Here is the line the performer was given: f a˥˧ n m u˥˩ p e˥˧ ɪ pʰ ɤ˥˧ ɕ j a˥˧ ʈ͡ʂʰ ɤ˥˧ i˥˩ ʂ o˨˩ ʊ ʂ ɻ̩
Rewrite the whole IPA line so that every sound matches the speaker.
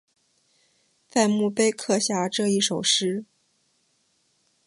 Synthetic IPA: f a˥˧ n m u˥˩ p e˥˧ ɪ kʰ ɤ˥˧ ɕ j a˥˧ ʈ͡ʂ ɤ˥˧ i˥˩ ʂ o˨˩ ʊ ʂ ɻ̩